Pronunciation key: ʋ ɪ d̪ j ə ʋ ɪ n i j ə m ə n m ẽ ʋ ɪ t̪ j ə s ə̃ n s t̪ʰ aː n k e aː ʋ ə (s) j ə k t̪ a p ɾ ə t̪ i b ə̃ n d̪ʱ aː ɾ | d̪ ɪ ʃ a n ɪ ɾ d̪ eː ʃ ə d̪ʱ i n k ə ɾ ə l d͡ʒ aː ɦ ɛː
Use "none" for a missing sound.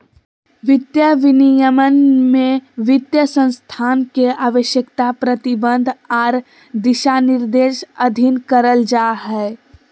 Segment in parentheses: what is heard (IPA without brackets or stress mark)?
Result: ʃ